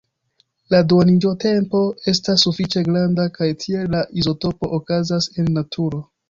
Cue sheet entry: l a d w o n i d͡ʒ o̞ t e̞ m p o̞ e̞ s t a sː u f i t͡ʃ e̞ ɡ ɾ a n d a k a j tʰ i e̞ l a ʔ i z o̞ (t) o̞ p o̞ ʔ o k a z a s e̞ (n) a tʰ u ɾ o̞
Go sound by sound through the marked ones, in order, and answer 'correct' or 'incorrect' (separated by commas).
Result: correct, incorrect